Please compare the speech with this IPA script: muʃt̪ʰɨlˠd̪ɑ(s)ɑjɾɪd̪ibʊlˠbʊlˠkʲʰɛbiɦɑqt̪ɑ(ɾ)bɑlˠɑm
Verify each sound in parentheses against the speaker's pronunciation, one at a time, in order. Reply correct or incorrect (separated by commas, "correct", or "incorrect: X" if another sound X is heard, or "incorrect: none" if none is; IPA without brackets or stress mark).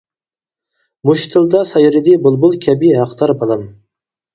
correct, correct